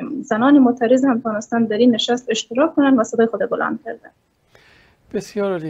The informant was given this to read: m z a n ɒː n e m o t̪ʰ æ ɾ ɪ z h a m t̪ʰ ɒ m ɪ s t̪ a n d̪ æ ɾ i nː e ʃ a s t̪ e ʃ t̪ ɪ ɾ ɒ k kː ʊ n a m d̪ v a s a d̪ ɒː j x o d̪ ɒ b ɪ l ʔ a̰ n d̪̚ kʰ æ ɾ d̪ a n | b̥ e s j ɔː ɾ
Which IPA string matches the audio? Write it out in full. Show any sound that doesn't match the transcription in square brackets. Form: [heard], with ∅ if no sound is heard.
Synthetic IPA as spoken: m z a n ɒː n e m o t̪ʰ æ ɾ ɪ z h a m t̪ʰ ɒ [n] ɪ s t̪ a n d̪ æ ɾ i nː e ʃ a s t̪ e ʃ t̪ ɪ ɾ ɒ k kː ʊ n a [n] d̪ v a s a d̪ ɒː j x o d̪ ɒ b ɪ l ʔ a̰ n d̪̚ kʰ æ ɾ d̪ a n | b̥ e s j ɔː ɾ